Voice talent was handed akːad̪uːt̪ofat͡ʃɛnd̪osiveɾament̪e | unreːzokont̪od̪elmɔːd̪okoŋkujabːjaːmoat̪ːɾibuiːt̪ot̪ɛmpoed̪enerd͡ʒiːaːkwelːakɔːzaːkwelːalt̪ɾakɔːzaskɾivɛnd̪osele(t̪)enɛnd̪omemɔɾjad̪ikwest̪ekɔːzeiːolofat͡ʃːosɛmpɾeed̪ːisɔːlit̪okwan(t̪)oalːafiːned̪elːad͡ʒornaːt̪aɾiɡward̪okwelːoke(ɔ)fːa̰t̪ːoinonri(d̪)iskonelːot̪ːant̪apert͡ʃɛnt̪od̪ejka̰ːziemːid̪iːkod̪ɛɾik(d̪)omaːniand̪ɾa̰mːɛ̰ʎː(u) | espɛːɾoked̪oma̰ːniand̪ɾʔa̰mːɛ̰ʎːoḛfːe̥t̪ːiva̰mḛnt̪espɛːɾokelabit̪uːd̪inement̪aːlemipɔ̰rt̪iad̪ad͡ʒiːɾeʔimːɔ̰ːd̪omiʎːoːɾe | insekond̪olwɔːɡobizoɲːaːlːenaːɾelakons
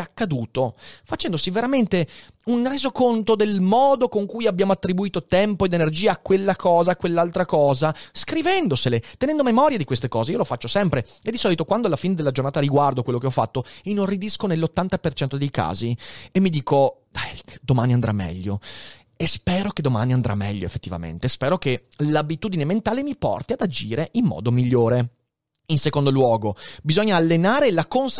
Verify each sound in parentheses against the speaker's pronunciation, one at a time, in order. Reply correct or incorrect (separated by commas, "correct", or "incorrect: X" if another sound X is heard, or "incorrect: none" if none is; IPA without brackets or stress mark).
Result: correct, incorrect: d̪, correct, correct, correct, incorrect: o